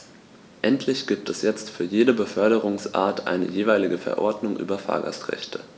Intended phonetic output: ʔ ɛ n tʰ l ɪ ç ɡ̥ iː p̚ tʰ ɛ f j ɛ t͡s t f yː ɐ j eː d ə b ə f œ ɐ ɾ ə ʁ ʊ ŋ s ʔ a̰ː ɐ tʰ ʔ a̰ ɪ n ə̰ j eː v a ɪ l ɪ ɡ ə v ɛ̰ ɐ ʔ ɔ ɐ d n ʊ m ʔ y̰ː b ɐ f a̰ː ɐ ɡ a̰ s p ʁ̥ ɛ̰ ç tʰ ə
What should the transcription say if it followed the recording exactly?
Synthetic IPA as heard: ʔ ɛ n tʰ l ɪ ç ɡ̥ iː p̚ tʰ ɛ s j ɛ t͡s t f yː ɐ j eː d ə b ə f œ ɐ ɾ ə ʁ ʊ ŋ s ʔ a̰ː ɐ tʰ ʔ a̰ ɪ n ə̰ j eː v a ɪ l ɪ ɡ ə f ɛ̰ ɐ ʔ ɔ ɐ d n ʊ ŋ ʔ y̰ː b ɐ f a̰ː ɐ ɡ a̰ s t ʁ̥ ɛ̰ ç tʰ ə